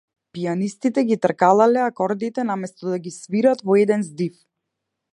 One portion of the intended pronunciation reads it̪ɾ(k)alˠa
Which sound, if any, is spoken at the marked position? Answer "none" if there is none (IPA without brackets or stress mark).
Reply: k